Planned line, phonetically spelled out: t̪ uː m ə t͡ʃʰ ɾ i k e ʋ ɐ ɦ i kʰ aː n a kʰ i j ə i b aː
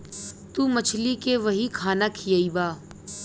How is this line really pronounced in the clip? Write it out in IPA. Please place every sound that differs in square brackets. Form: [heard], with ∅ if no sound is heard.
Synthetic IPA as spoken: t̪ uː m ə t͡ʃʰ [l] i k e ʋ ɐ ɦ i kʰ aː n a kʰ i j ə i b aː